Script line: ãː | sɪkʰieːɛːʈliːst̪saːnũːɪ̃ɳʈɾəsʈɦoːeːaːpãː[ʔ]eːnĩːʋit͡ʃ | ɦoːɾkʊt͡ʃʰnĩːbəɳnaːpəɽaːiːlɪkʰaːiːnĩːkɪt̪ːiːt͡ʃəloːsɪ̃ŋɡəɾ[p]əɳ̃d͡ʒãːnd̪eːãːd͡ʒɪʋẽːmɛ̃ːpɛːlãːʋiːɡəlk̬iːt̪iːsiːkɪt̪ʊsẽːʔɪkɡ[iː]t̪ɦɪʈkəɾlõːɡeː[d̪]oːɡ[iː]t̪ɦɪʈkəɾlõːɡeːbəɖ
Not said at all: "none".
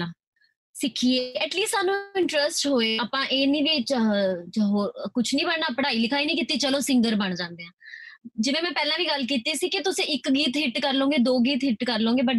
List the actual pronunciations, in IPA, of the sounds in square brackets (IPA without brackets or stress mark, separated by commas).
ʔ, b, iː, d̪, iː